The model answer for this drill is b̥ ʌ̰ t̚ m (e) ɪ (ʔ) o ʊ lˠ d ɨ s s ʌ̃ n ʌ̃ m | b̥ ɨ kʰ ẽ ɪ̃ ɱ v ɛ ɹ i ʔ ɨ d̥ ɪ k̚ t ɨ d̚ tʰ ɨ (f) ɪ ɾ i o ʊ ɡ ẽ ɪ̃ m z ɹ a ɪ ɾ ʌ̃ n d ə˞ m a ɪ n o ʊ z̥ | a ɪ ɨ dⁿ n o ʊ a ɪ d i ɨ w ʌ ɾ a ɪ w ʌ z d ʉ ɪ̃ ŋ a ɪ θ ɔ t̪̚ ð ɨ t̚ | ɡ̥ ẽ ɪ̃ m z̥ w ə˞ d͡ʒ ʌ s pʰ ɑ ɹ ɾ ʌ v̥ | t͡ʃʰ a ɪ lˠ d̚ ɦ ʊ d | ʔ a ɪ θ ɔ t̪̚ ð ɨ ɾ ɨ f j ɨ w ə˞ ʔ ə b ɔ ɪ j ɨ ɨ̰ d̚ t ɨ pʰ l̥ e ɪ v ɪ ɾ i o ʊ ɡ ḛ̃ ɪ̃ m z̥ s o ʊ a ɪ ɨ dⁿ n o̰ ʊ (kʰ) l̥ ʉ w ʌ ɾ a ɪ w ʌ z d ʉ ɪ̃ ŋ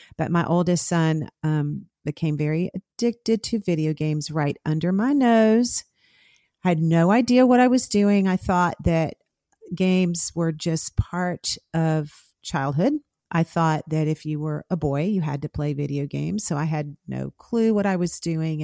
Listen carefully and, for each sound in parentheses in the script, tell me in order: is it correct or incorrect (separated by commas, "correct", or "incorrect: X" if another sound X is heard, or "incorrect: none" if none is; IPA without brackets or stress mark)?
incorrect: a, correct, incorrect: v, correct